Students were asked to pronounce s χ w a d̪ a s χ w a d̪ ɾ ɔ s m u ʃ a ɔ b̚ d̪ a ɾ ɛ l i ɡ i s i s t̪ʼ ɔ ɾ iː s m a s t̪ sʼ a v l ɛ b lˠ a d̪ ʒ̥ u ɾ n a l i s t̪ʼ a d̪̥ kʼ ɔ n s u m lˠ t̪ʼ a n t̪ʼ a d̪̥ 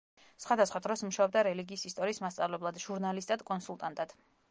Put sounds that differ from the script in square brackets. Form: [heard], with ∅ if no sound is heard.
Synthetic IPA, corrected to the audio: s χ w a d̪ a s χ w a d̪ ɾ ɔ s m u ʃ a ɔ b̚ d̪ a ɾ ɛ l i ɡ [iː] s i s t̪ʼ ɔ ɾ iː s m a s t̪ sʼ a v l ɛ b lˠ a d̪ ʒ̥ u ɾ n a l i s t̪ʼ a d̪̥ kʼ ɔ n s u [∅] lˠ t̪ʼ a n t̪ʼ a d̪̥